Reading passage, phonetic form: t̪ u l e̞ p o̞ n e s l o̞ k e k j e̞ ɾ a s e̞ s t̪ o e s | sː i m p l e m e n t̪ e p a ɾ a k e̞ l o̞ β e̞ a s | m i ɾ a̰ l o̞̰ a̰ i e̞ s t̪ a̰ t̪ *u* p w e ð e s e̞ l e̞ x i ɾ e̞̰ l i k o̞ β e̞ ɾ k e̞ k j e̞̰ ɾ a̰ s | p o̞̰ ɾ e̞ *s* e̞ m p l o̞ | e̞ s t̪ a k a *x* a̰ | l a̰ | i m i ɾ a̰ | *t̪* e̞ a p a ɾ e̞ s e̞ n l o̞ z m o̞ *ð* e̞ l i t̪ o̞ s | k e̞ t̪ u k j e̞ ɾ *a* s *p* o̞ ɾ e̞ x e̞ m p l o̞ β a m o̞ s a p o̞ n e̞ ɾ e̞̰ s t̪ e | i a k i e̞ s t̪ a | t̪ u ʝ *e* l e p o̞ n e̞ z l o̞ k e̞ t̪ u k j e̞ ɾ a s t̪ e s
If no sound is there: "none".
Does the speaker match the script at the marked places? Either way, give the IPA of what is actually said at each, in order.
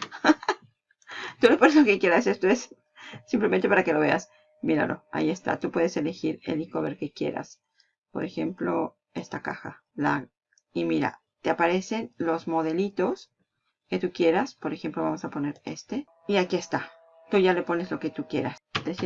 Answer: u, x, x, t̪, ð, a, p, a

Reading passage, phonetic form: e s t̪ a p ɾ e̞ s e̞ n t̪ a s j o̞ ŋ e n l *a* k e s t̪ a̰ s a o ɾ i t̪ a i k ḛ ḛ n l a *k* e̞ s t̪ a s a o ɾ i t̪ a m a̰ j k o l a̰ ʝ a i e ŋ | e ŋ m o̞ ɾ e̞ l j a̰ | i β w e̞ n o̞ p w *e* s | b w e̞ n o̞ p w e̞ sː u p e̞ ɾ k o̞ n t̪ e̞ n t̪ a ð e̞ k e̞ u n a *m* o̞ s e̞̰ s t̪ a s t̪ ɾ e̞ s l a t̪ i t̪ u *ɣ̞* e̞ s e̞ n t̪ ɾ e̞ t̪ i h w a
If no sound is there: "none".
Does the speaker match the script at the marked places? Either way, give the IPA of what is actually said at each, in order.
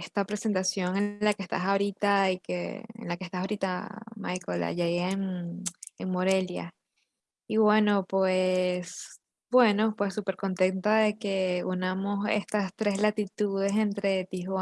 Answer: a, k, e, m, ð̞

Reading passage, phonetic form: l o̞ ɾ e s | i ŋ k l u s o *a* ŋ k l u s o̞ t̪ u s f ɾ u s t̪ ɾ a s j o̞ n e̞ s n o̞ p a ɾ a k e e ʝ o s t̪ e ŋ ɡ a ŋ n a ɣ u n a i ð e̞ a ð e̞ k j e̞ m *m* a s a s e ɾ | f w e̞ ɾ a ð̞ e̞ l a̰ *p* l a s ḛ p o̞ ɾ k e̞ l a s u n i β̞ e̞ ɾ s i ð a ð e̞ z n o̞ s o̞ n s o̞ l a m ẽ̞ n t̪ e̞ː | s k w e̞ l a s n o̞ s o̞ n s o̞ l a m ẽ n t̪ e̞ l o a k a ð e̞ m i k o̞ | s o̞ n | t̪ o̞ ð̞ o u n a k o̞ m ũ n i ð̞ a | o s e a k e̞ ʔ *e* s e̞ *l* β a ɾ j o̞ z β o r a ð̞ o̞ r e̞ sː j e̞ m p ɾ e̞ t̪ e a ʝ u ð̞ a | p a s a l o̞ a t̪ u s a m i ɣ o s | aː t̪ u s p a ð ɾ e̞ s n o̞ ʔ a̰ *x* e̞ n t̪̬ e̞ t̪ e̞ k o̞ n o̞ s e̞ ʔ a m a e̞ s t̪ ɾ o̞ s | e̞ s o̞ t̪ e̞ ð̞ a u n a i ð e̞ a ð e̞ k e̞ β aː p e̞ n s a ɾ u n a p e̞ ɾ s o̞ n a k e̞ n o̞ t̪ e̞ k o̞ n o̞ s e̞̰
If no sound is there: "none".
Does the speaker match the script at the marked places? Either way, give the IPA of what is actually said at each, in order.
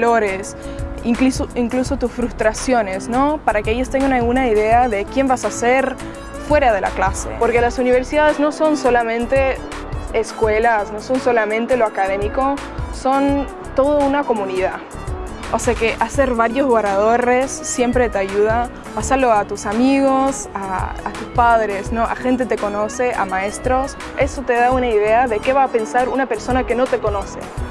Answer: i, b, k, a, ɾ, x

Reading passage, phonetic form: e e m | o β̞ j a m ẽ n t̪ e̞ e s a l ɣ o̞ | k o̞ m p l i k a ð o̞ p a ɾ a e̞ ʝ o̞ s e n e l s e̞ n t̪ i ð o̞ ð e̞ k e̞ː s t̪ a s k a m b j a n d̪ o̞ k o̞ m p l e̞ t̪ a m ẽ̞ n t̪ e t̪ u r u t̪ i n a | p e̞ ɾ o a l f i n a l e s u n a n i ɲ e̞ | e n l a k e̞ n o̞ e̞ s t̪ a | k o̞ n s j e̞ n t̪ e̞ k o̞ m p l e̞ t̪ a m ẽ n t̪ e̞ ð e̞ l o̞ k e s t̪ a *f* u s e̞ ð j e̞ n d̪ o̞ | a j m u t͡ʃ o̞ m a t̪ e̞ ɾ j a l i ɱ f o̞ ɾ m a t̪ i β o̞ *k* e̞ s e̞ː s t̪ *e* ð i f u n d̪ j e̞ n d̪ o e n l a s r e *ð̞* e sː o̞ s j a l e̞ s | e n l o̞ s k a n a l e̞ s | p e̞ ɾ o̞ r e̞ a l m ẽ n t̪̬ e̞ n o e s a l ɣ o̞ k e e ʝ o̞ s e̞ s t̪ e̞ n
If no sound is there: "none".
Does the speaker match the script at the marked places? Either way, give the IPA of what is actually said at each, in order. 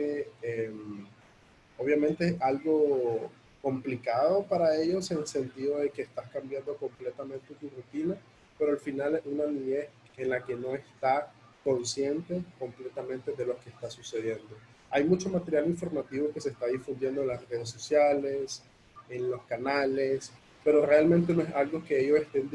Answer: s, k, a, ð̞

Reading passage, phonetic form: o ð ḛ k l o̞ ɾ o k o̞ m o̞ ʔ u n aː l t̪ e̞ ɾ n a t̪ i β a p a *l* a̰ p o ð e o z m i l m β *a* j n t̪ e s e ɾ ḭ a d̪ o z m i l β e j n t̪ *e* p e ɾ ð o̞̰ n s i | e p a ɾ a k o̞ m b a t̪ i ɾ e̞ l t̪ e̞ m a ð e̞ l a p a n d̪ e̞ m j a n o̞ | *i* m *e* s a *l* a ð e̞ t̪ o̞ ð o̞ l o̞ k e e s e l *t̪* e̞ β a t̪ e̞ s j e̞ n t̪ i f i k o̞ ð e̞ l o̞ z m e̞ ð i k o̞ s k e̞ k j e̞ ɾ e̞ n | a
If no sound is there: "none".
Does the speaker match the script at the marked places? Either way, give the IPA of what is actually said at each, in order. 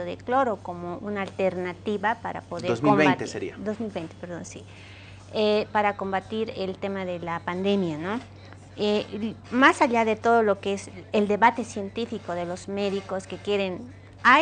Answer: ɾ, e, e, e, a, ʎ, d̪

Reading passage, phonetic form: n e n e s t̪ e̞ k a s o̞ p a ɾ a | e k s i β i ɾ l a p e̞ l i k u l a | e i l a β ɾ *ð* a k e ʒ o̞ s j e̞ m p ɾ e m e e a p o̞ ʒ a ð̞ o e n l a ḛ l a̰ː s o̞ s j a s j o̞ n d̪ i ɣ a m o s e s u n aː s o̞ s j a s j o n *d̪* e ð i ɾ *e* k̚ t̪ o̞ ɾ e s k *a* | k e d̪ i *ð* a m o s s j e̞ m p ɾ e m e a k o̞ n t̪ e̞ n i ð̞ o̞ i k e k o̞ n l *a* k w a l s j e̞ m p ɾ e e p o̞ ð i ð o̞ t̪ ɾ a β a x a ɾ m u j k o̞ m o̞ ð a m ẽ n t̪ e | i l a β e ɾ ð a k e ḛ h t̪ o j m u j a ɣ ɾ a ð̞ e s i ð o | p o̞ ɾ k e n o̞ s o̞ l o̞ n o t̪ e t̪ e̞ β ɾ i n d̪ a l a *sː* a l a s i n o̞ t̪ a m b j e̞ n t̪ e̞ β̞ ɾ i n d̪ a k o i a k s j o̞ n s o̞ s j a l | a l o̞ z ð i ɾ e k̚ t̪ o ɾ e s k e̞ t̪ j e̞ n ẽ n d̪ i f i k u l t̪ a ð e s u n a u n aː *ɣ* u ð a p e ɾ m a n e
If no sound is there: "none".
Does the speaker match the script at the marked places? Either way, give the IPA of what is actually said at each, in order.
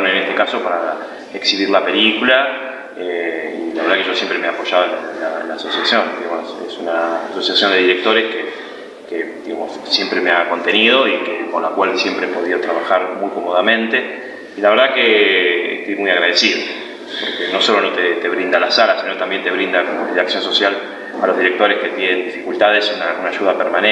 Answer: ð, d̪, e, e, ɣ, a, s, ʒ

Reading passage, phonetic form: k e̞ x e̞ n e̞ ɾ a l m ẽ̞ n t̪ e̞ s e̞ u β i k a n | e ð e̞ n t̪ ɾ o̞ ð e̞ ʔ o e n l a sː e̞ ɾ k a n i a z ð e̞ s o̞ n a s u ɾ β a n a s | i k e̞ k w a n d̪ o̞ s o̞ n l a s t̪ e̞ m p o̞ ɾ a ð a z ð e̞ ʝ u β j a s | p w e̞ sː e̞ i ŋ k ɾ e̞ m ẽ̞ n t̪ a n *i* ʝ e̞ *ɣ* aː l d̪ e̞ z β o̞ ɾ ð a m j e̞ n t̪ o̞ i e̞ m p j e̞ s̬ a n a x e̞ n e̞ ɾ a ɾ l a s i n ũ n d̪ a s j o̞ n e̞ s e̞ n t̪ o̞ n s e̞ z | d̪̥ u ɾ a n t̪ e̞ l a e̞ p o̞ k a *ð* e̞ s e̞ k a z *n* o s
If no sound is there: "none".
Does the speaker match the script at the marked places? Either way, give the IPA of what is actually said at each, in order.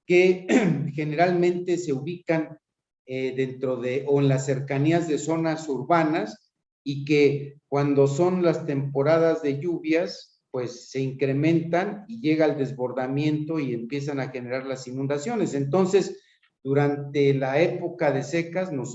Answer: i, ɣ, ð, n

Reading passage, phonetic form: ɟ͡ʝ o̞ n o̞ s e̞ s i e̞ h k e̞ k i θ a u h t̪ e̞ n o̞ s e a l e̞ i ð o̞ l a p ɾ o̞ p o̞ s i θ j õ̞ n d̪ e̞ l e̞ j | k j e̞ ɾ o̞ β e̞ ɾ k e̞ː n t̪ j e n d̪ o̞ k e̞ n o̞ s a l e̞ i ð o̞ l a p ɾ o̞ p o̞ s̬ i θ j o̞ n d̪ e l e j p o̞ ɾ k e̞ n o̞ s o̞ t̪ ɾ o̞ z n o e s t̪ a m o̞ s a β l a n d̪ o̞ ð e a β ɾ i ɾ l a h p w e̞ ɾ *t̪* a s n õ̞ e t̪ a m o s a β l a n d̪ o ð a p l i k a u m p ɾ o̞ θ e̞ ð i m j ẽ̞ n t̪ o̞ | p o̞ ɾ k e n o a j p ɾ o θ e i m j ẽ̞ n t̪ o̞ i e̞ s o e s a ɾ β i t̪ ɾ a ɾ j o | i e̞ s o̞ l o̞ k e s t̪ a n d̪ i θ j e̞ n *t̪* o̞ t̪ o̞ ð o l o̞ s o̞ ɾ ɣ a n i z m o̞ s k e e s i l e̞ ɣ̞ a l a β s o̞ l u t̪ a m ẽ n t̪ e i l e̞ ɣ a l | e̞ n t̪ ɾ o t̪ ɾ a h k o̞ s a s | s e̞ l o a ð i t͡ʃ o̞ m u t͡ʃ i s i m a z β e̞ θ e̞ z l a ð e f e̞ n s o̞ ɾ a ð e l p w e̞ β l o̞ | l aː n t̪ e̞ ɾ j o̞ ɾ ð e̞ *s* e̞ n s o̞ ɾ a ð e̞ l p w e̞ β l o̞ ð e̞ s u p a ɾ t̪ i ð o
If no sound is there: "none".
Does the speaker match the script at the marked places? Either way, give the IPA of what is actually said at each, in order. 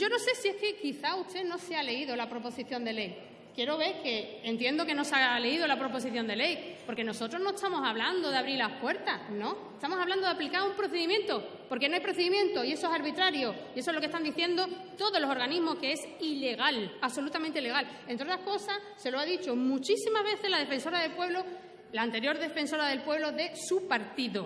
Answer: t̪, d̪, f

